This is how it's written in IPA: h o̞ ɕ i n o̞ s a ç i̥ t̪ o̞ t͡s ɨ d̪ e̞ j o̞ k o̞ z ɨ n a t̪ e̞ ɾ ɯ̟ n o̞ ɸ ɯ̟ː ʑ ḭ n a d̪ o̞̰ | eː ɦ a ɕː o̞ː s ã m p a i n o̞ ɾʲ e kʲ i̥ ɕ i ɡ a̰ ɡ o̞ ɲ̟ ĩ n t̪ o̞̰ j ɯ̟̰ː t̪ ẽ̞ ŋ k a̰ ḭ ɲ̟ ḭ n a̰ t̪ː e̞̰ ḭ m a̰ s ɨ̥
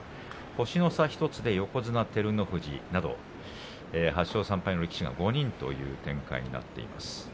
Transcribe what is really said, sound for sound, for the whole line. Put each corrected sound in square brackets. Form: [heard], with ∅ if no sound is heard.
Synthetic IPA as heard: h o̞ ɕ i n o̞ s a ç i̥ t̪ o̞ t͡s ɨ d̪ e̞ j o̞ k o̞ z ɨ n a t̪ e̞ ɾ ɯ̟ n o̞ ɸ [ɯ̟] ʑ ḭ n a d̪ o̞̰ | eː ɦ a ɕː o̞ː s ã m p a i n o̞ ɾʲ e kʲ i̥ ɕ i ɡ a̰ ɡ o̞ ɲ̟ ĩ n t̪ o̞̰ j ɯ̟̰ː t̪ ẽ̞ ŋ k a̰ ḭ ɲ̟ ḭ n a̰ t̪ː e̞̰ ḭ m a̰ s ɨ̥

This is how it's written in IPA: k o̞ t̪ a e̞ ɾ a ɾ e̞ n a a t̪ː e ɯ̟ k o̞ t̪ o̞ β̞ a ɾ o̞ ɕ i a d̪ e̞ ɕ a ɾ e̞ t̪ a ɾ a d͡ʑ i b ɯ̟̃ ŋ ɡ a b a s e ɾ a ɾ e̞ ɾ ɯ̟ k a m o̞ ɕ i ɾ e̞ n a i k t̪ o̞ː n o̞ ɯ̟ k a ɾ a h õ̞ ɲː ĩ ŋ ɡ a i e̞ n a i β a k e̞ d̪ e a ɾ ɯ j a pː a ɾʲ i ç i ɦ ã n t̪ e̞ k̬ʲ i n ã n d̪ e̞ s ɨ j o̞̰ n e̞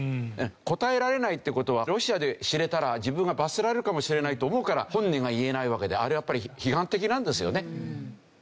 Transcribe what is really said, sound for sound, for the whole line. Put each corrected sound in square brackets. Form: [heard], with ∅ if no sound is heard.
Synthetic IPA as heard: k o̞ t̪ a e̞ ɾ a ɾ e̞ n a [i] t̪ː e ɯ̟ k o̞ t̪ o̞ β̞ a ɾ o̞ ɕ i a d̪ e̞ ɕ [i] ɾ e̞ t̪ a ɾ a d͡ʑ i b ɯ̟̃ ŋ ɡ a b a s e ɾ a ɾ e̞ ɾ ɯ̟ k a m o̞ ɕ i ɾ e̞ n a i [∅] t̪ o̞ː [m] o̞ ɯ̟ k a ɾ a h õ̞ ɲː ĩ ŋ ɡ a i e̞ n a i β a k e̞ d̪ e a ɾ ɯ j a pː a ɾʲ i ç i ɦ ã n t̪ e̞ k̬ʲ i n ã n d̪ e̞ s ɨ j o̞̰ n e̞

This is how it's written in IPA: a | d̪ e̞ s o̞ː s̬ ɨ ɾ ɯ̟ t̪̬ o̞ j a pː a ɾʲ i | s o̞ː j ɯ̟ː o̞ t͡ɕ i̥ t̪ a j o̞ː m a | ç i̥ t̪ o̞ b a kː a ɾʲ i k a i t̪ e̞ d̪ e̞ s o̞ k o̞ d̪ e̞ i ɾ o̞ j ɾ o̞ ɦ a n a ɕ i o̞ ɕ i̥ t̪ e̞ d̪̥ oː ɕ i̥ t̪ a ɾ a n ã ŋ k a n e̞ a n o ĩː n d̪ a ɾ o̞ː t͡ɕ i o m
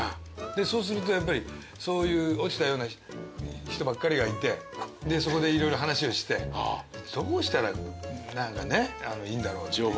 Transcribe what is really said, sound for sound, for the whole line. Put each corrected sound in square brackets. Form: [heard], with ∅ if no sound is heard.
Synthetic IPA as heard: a | d̪ e̞ s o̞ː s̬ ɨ ɾ ɯ̟ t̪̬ o̞ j a pː a ɾʲ i | s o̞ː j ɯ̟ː o̞ t͡ɕ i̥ t̪ a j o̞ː [n] a | ç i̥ t̪ o̞ b a kː a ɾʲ i [ɡ] a i t̪ e̞ d̪ e̞ s o̞ k o̞ d̪ e̞ i ɾ o̞ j ɾ o̞ ɦ a n a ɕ i o̞ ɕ i̥ t̪ e̞ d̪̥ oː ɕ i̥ t̪ a ɾ a n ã ŋ k a n e̞ a n o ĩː n d̪ a ɾ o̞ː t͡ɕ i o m

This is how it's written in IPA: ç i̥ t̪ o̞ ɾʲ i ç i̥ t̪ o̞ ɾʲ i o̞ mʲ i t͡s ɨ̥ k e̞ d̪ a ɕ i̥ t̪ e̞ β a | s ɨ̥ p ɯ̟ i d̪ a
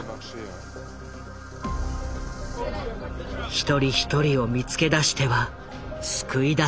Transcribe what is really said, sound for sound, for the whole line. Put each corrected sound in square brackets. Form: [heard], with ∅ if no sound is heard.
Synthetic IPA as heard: ç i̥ t̪ o̞ ɾʲ i ç i̥ t̪ o̞ ɾʲ i o̞ mʲ i t͡s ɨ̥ k e̞ d̪ a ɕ i̥ t̪ e̞ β a | s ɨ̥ [k] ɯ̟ i d̪ a

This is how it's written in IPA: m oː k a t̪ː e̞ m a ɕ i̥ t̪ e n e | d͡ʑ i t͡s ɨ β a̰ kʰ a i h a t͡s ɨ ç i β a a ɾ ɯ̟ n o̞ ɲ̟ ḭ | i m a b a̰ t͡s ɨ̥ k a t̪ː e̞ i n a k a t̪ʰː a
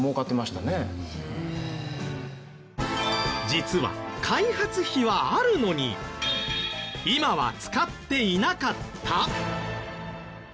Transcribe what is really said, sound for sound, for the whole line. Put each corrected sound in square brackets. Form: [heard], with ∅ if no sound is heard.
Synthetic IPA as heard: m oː k a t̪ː e̞ m a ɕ i̥ t̪ [a] n e | d͡ʑ i t͡s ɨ β a̰ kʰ a i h a t͡s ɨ ç i β a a ɾ ɯ̟ n o̞ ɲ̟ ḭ | i m a [β] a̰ t͡s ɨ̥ k a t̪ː e̞ i n a k a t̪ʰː a

